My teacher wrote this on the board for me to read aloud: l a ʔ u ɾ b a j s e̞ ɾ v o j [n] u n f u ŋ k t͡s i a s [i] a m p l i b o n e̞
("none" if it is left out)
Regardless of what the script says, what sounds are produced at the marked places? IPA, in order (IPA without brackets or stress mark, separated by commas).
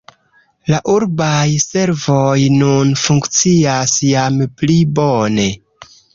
n, j